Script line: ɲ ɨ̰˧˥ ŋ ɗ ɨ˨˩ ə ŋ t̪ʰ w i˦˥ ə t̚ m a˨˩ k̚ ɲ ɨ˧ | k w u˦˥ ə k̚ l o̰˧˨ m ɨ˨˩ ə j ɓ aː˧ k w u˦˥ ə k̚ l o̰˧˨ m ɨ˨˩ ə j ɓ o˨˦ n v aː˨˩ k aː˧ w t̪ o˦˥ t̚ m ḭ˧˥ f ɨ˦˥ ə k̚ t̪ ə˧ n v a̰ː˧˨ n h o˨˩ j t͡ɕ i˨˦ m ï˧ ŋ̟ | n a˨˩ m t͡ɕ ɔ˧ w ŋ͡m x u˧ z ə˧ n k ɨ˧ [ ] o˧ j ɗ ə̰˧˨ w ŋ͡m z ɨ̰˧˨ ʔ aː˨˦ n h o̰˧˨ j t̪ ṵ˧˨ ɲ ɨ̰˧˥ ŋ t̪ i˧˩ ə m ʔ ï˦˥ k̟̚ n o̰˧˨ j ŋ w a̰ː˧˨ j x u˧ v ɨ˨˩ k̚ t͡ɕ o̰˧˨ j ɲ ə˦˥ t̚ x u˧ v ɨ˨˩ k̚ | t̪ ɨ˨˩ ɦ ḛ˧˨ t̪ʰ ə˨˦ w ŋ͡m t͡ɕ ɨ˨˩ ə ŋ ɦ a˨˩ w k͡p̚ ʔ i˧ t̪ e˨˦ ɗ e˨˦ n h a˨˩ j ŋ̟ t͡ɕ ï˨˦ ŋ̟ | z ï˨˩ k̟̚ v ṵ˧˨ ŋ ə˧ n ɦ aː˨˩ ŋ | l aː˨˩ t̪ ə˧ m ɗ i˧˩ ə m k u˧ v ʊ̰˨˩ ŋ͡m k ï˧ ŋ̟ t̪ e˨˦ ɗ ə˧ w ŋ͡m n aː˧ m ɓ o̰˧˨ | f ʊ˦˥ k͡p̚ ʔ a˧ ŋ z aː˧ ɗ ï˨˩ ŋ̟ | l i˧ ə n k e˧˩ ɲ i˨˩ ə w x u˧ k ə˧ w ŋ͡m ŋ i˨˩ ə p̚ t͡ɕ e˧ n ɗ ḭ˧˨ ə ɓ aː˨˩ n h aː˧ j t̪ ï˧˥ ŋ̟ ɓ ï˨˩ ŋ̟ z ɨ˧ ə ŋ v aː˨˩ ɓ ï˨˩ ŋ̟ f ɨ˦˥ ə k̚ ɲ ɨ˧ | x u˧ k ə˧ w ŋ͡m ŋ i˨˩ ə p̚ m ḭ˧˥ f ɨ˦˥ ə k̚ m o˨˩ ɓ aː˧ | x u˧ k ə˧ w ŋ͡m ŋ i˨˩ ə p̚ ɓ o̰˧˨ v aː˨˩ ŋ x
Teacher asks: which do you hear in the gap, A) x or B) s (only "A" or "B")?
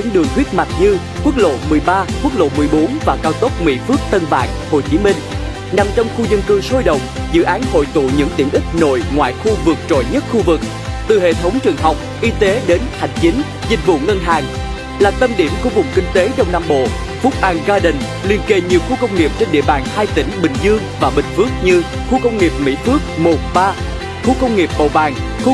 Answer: B